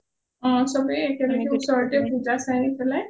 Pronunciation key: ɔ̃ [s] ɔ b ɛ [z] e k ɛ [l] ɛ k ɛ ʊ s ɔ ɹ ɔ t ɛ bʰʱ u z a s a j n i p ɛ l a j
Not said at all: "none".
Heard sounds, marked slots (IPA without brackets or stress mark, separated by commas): s, none, l